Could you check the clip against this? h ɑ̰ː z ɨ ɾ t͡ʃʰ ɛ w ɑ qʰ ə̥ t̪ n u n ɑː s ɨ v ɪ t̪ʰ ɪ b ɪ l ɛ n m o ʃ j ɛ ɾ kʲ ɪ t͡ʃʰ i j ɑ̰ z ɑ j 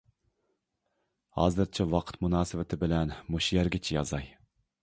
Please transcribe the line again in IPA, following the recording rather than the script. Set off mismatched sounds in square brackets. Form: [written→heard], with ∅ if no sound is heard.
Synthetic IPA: h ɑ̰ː z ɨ ɾ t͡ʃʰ ɛ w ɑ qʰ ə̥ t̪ [n→m] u n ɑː s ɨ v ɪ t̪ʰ ɪ b ɪ l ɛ n m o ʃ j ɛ ɾ [kʲ→ɡʲ] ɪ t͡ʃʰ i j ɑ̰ z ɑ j